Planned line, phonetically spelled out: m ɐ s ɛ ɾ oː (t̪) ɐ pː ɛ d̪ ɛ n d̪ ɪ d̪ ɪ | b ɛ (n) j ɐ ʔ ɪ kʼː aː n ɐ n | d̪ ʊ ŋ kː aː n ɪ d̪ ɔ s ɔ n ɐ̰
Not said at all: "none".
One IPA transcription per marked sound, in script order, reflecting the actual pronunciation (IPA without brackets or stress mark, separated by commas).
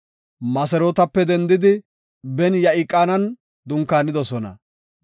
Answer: t̪, n